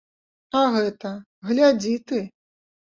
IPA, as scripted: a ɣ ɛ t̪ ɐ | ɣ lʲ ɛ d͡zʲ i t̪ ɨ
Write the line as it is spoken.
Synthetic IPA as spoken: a ɣ ɛ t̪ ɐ | ɣ lʲ a d͡zʲ i t̪ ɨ